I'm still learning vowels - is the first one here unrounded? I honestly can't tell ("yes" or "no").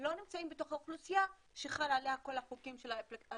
no